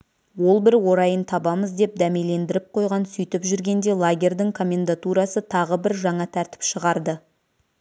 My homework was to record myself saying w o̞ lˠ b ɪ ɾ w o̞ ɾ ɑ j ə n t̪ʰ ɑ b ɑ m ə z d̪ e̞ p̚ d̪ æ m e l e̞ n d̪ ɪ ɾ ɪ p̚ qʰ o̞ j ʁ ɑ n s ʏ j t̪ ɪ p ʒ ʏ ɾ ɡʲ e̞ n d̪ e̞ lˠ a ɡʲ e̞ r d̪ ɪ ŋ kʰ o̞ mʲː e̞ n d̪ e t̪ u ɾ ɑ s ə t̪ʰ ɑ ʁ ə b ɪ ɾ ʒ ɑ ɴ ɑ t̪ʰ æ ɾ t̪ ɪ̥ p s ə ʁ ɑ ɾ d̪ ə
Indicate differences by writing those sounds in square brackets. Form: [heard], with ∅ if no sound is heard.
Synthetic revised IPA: w o̞ lˠ b ɪ ɾ w o̞ ɾ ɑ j ə n t̪ʰ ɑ b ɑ m ə z d̪ e̞ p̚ d̪ æ m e l e̞ n d̪ ɪ ɾ ɪ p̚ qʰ o̞ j ʁ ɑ n s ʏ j t̪ ɪ p ʒ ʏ ɾ ɡʲ e̞ n d̪ e̞ lˠ a ɡʲ e̞ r d̪ ɪ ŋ kʰ o̞ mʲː e̞ n d̪ [a] t̪ u ɾ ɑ s ə t̪ʰ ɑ ʁ ə b ɪ ɾ ʒ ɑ ɴ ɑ t̪ʰ æ ɾ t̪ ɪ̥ p [ʃ] ə ʁ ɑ ɾ d̪ ə